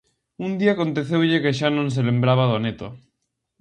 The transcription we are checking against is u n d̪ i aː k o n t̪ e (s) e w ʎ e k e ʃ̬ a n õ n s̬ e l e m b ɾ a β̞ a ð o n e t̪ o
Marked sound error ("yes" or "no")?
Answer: yes